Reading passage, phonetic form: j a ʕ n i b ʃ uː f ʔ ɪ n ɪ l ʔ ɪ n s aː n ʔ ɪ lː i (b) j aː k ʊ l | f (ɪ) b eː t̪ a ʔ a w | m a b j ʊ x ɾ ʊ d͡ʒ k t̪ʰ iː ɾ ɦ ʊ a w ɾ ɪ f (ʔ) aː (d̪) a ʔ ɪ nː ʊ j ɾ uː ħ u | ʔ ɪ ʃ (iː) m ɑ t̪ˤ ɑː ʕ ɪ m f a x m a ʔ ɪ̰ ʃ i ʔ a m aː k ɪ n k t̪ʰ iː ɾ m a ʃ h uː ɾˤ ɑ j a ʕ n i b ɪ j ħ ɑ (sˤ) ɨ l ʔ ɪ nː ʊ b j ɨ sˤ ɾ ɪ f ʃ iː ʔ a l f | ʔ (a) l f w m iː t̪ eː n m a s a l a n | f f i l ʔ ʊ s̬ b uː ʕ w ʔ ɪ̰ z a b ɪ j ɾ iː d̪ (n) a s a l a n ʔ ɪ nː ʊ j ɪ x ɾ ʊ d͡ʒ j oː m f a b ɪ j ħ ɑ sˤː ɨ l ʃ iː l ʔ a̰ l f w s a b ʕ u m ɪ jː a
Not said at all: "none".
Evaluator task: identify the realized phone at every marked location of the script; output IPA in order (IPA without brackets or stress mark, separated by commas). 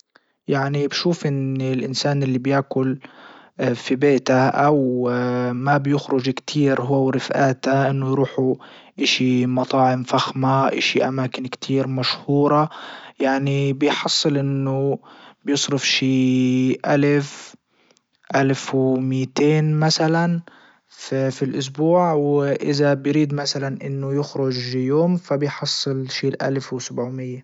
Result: b, i, ʔ, t̪, i, sˤː, a, m